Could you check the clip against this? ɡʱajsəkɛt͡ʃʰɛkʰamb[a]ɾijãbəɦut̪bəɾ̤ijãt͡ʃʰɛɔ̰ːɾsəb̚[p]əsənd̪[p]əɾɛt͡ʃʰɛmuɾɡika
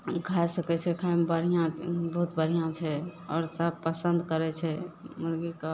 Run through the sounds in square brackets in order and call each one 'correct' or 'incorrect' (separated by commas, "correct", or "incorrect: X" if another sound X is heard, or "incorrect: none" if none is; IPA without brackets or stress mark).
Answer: incorrect: ə, correct, incorrect: k